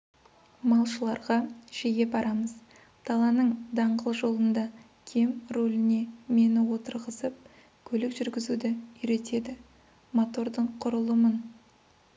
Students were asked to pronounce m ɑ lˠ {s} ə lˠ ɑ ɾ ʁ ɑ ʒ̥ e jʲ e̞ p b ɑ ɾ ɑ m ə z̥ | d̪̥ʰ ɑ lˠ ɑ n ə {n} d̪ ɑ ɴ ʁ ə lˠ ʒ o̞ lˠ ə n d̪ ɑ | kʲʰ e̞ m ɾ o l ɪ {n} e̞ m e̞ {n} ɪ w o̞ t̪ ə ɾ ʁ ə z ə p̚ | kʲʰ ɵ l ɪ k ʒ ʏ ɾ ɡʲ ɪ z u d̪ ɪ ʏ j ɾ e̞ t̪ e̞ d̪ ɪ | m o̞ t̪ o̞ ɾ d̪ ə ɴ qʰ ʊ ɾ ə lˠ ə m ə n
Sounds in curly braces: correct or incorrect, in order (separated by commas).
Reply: incorrect, incorrect, correct, correct